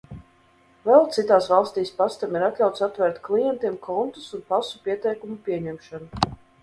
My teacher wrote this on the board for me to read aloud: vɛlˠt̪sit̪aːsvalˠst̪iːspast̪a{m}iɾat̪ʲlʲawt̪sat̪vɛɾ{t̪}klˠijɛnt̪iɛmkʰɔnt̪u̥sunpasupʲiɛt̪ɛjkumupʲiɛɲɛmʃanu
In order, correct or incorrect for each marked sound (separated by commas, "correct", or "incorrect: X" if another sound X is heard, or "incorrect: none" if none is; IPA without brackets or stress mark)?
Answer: correct, correct